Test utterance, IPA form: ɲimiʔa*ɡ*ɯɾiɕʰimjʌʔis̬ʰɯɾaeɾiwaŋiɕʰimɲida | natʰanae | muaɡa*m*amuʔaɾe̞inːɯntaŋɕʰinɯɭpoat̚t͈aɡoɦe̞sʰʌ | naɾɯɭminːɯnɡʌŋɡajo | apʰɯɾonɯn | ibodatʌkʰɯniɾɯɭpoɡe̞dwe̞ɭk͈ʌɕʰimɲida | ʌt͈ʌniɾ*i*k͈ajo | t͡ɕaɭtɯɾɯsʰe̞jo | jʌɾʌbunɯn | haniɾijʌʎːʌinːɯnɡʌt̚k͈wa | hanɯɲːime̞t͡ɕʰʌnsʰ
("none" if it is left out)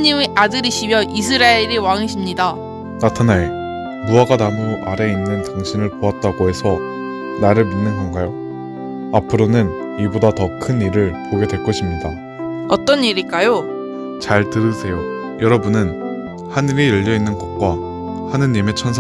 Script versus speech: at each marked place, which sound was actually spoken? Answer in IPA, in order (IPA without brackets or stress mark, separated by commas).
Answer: d, n, i